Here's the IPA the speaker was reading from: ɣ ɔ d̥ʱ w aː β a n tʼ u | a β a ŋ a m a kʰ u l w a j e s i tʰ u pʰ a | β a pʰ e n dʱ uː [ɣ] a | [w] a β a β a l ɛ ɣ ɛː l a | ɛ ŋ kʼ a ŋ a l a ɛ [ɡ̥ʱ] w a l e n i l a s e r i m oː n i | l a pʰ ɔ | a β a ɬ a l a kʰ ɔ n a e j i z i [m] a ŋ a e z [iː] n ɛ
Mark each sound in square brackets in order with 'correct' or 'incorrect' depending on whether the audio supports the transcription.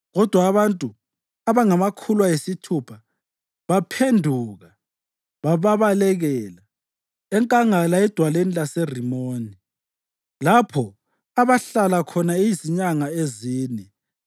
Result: correct, incorrect: β, incorrect: d̥ʱ, incorrect: ɲ, correct

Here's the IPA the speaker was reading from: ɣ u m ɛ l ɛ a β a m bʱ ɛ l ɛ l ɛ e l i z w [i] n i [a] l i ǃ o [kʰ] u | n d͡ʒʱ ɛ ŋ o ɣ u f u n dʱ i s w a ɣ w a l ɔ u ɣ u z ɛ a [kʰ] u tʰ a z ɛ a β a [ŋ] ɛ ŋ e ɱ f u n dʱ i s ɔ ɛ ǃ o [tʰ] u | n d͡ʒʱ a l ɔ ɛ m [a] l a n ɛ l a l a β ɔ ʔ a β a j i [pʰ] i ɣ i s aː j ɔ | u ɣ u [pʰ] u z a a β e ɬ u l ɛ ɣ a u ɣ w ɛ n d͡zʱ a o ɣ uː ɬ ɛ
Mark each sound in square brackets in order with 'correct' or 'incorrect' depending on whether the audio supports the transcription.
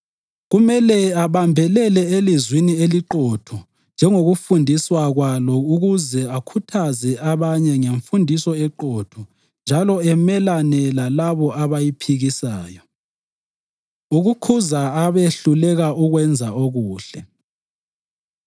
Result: correct, incorrect: e, incorrect: tʰ, correct, incorrect: ɲ, correct, incorrect: ɛ, correct, incorrect: kʰ

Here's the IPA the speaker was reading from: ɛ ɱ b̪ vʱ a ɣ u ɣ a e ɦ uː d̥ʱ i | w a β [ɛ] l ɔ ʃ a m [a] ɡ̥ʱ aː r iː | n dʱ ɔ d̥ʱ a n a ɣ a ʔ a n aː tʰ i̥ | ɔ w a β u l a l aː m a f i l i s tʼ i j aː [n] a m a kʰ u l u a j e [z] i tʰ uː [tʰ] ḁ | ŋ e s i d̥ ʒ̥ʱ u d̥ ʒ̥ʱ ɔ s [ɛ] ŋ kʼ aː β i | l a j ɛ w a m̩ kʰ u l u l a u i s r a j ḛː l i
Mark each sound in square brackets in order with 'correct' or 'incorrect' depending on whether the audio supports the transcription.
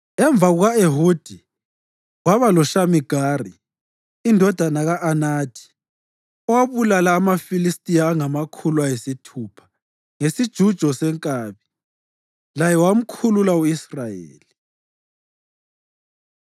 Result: incorrect: a, incorrect: i, incorrect: ŋ, incorrect: s, incorrect: pʰ, correct

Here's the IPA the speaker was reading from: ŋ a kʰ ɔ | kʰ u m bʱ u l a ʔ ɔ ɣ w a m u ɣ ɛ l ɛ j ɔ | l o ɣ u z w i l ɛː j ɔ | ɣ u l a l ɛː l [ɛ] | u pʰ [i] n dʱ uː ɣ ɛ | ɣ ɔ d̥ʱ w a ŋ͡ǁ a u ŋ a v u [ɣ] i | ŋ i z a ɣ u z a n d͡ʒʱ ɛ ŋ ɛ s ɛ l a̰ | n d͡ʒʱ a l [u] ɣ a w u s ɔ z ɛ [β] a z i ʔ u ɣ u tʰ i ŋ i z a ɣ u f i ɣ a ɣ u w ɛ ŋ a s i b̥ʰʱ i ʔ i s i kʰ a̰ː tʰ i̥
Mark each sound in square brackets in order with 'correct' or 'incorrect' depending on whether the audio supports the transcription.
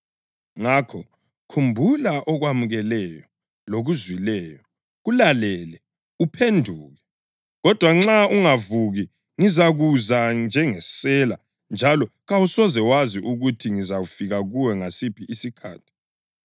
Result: correct, incorrect: e, correct, incorrect: ɔ, incorrect: w

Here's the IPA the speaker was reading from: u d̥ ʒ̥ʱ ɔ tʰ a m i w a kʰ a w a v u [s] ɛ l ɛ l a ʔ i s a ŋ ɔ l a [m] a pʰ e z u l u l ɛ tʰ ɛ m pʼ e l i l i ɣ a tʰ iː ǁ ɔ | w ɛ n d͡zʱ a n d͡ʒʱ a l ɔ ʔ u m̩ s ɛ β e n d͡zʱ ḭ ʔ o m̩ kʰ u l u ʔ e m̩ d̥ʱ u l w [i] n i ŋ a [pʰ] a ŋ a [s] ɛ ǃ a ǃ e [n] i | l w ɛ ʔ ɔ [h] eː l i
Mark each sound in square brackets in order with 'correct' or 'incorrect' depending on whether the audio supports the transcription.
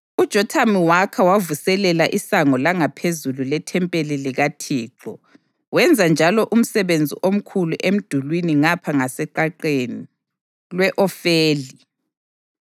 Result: correct, incorrect: ŋ, correct, correct, correct, correct, incorrect: f

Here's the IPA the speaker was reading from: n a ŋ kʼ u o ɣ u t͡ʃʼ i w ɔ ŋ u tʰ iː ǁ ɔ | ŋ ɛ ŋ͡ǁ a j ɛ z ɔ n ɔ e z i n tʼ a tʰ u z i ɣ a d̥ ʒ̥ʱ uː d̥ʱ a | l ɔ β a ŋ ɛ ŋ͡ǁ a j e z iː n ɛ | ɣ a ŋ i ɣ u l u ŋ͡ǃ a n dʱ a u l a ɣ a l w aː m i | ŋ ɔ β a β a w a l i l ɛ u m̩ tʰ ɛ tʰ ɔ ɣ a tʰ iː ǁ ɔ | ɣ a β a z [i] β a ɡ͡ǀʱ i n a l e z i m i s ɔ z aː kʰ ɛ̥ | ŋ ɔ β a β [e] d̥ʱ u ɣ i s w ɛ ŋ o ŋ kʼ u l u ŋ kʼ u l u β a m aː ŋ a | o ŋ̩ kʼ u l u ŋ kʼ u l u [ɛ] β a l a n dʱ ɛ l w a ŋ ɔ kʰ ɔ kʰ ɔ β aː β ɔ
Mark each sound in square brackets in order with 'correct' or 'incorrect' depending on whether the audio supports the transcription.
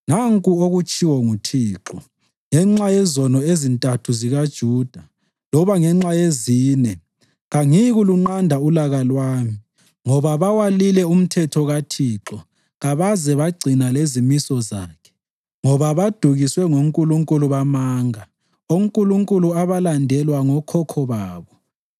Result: incorrect: ɛ, incorrect: a, incorrect: a

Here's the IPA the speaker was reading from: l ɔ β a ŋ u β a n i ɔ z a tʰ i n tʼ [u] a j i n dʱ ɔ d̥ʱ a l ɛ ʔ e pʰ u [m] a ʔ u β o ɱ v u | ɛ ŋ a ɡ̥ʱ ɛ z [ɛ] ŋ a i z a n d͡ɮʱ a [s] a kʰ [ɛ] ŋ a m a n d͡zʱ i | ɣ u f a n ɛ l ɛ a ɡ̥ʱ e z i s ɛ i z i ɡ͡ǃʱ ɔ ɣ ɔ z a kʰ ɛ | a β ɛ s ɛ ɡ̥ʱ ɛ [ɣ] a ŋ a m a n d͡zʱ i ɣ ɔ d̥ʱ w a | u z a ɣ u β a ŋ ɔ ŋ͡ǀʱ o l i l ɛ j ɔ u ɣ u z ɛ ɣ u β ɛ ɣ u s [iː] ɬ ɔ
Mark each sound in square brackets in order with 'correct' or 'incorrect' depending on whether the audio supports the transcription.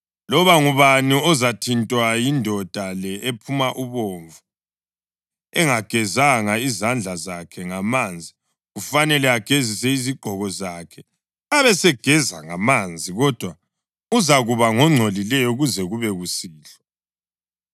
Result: incorrect: w, correct, incorrect: a, incorrect: z, correct, incorrect: z, correct

